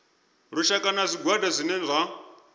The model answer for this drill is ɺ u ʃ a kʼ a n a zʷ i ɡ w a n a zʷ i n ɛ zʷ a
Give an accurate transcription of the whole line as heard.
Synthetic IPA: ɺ u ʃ a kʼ a n a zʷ i ɡ w a d a zʷ i n ɛ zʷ a